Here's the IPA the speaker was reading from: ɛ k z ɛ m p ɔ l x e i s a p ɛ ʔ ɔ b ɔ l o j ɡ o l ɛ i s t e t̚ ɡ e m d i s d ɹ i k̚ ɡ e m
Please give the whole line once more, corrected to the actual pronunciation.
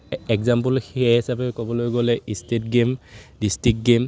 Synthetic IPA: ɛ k z a m p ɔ l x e i s a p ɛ k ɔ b ɔ l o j ɡ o l ɛ i s t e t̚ ɡ e m d i s t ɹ i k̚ ɡ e m